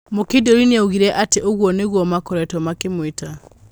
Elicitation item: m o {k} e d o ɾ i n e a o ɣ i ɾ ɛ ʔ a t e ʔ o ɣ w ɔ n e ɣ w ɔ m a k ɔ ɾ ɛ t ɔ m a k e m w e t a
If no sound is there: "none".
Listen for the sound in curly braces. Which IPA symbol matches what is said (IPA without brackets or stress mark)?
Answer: k